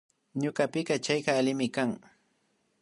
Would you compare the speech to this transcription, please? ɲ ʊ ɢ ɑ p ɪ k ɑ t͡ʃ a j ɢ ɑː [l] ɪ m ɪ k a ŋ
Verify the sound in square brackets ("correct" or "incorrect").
correct